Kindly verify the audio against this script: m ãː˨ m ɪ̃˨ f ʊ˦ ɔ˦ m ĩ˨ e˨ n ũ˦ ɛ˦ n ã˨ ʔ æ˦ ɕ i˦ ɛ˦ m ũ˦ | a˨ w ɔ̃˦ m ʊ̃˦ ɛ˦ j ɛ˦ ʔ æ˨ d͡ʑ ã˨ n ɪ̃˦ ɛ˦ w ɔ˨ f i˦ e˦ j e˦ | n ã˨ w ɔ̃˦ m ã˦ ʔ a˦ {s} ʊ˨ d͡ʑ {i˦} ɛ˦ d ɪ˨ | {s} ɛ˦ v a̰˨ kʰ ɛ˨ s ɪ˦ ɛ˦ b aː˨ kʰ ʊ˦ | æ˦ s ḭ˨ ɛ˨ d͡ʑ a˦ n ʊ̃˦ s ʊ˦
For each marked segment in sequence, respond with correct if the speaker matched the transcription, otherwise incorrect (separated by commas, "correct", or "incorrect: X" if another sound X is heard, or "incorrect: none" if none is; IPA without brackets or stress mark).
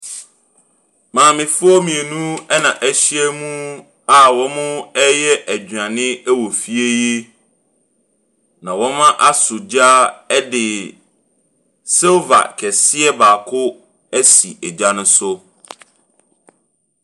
correct, incorrect: a˦, correct